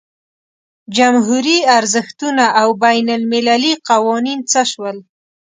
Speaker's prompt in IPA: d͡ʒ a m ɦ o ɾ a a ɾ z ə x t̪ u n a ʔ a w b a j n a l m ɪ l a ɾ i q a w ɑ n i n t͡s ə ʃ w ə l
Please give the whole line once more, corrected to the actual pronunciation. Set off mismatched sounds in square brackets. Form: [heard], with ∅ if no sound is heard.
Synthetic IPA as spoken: d͡ʒ a m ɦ [u] ɾ [i] a ɾ z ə x t̪ u n a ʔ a w b a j n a l m ɪ l a [l] i q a w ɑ n i n t͡s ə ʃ w ə l